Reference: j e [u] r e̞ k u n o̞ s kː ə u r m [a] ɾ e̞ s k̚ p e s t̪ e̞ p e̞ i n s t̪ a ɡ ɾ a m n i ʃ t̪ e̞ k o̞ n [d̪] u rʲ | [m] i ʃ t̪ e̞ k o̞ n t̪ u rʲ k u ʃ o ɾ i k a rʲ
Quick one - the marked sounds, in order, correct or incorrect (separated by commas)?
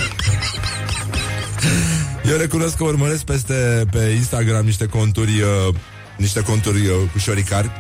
incorrect, incorrect, incorrect, incorrect